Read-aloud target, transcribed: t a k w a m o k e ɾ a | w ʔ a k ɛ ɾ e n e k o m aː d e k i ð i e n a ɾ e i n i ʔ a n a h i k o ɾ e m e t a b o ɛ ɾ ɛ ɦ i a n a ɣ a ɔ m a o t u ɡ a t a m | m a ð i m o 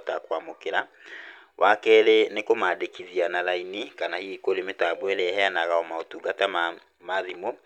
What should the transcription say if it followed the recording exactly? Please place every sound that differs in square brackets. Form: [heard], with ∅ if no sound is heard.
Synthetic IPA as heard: t a k w a m o k e ɾ a | w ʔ a k ɛ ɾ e n e k o m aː d e k i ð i [a] n a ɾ [a] i n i [k] a n a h i k o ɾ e m e t a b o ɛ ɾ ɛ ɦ [ɛ] a n a ɣ a ɔ m a o t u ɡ a t a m | m a ð i m o